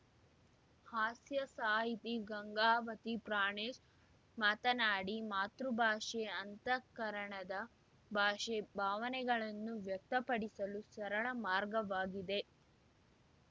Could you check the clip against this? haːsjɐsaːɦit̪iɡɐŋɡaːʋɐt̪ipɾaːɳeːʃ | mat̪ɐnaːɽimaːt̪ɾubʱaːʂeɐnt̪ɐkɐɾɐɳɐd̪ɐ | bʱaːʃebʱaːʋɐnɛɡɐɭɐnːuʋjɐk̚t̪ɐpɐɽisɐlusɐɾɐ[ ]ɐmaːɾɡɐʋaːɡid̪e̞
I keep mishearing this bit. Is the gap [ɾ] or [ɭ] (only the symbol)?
ɭ